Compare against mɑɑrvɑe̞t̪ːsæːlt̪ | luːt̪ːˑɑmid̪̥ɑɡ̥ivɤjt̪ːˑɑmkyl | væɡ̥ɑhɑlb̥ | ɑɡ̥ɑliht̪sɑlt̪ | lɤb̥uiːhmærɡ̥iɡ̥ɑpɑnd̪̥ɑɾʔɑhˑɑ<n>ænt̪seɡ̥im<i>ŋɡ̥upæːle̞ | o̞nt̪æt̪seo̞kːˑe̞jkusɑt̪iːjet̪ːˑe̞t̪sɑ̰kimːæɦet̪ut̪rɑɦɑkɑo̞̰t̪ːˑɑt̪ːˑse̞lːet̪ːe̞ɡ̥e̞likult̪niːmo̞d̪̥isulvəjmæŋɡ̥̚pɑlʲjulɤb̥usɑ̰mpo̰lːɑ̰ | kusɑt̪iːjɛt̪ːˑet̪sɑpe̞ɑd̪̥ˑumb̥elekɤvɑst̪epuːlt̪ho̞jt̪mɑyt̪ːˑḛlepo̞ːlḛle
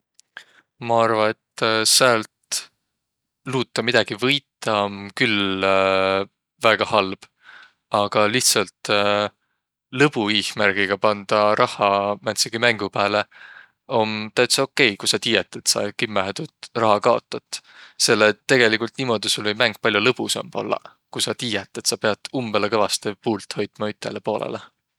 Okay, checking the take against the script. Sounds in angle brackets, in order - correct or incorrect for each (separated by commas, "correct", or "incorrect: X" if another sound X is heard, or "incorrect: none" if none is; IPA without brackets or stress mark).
incorrect: m, incorrect: æ